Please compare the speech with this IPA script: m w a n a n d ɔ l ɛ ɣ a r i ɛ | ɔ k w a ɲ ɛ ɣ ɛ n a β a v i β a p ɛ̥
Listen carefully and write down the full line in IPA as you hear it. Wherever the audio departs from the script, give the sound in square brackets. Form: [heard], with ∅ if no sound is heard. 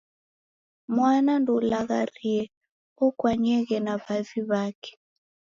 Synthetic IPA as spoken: m w a n a n d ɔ l [a] ɣ a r i ɛ | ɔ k w a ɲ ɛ ɣ ɛ n a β a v i β a [k] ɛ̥